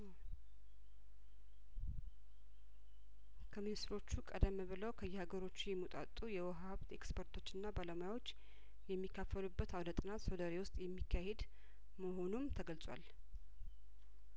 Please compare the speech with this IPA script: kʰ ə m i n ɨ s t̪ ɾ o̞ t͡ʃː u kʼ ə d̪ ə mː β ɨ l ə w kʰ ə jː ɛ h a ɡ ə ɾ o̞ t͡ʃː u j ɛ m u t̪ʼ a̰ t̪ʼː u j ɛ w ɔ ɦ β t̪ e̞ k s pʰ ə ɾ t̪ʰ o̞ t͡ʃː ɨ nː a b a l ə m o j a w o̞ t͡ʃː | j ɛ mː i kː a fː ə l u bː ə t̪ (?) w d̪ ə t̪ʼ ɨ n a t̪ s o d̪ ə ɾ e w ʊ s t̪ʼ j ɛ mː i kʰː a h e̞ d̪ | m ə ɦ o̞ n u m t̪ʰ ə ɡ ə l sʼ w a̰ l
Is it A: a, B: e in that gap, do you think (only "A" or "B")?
A